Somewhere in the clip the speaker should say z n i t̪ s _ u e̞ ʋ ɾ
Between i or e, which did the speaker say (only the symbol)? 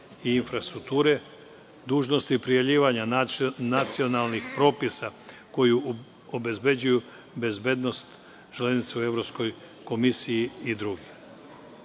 e